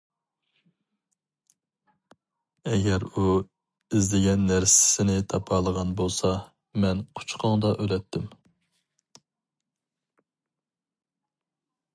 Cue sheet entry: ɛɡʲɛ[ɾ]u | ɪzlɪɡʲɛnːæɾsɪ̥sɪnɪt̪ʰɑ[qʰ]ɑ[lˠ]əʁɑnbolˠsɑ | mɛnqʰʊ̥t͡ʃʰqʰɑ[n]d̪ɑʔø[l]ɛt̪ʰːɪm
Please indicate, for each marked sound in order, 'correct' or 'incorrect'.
correct, incorrect, correct, incorrect, correct

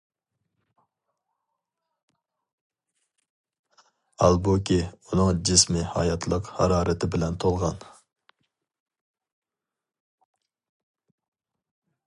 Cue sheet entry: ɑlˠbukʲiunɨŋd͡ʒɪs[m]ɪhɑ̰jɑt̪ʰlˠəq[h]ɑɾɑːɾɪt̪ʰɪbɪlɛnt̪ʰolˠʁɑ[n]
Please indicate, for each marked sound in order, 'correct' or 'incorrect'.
correct, correct, correct

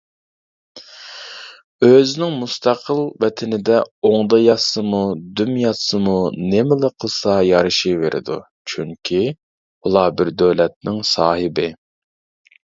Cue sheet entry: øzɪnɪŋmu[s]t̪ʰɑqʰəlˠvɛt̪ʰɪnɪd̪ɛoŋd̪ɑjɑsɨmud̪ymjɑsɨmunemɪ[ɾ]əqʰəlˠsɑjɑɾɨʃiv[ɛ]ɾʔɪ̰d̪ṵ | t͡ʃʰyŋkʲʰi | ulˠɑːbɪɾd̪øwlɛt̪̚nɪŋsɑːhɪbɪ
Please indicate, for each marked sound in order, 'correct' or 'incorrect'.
correct, incorrect, incorrect

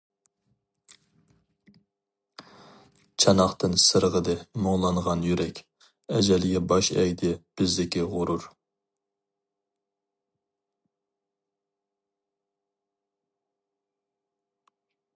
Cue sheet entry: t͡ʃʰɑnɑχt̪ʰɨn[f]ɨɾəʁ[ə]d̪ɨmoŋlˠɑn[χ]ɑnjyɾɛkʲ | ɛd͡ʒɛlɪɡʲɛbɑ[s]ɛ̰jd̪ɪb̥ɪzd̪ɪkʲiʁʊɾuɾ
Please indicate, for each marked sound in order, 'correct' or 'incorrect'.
incorrect, correct, incorrect, incorrect

